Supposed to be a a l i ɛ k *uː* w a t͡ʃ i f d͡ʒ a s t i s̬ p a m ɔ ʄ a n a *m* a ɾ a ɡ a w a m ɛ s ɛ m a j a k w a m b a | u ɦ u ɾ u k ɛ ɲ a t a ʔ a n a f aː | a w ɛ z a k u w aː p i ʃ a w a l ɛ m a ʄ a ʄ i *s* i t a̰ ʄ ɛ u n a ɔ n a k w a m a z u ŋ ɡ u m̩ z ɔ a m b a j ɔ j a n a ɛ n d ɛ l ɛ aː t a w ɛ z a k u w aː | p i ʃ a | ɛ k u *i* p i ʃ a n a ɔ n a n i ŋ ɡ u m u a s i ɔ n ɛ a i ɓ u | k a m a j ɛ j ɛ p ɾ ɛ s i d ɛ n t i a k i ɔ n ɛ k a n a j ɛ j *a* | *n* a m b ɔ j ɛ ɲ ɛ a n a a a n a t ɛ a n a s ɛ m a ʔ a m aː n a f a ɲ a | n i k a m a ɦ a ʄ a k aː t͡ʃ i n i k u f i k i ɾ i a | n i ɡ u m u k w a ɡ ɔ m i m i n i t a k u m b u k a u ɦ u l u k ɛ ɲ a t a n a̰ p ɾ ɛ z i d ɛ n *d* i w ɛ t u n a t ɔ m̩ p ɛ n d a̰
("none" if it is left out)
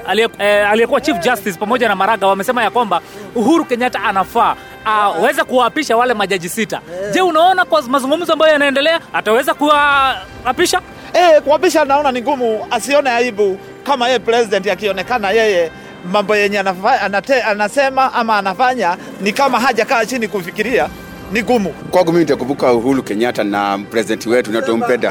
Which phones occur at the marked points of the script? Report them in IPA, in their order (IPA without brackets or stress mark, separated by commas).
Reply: u, m, s, a, ɛ, m, t